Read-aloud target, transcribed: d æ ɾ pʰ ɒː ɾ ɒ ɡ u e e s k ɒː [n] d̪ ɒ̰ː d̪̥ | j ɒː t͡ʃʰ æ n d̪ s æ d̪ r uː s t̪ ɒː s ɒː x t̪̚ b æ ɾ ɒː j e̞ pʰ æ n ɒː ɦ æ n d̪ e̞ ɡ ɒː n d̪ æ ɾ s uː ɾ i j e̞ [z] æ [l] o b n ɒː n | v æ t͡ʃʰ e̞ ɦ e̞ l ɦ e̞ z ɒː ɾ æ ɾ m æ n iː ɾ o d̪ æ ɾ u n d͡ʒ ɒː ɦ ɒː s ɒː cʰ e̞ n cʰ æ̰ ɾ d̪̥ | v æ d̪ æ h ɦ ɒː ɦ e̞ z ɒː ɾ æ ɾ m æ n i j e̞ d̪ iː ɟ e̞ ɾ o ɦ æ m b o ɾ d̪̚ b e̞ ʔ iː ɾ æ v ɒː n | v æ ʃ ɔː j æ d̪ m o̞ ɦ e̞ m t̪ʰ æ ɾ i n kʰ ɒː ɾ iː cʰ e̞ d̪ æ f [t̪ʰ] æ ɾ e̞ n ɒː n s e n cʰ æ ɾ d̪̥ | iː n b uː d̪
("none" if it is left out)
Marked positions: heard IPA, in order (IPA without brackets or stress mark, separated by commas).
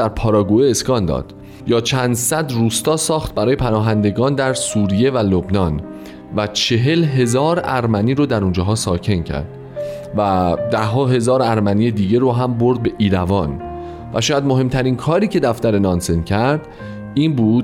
n, v, l, t̪